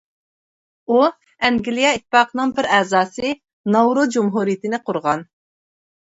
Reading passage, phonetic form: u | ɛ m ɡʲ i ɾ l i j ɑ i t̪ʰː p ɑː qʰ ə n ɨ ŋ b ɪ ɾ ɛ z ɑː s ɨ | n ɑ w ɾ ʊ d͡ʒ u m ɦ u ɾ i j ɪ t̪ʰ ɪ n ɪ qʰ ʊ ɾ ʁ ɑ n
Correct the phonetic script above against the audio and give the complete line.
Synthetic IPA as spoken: u | ɛ ŋ ɡʲ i l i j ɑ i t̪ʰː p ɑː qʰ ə n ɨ ŋ b ɪ ɾ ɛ z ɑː s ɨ | n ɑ w ɾ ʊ d͡ʒ u m ɦ u ɾ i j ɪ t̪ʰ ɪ n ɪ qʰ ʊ ɾ ʁ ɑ n